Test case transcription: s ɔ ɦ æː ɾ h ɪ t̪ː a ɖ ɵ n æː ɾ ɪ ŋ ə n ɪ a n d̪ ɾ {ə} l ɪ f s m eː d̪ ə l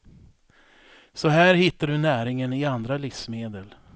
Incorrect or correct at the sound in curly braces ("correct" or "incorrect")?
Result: incorrect